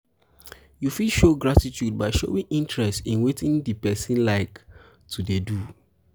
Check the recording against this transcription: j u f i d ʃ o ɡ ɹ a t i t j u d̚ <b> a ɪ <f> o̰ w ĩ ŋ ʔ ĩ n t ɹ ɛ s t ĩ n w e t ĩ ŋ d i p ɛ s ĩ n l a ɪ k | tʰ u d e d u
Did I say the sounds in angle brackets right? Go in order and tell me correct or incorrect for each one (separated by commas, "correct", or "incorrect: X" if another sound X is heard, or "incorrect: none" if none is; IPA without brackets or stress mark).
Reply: correct, incorrect: ʃ